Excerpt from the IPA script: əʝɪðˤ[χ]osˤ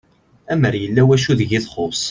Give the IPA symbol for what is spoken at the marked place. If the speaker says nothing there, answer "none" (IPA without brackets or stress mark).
χ